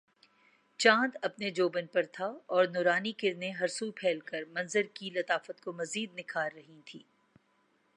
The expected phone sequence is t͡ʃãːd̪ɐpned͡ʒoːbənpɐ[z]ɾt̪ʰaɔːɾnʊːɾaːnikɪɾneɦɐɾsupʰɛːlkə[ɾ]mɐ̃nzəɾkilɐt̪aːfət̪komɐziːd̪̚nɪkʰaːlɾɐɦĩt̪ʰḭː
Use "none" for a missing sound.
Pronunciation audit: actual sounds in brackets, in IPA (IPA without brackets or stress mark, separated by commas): none, ɾ